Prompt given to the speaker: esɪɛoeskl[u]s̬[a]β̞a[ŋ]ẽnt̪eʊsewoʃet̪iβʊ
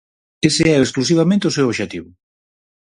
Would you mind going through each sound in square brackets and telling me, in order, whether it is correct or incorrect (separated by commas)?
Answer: correct, incorrect, incorrect